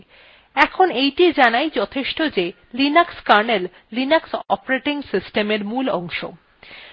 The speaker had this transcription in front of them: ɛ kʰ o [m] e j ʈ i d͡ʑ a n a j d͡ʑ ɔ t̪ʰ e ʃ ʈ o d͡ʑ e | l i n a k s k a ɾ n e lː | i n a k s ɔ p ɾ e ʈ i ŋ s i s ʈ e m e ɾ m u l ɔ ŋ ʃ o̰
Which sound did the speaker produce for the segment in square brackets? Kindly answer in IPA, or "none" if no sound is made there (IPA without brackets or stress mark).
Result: n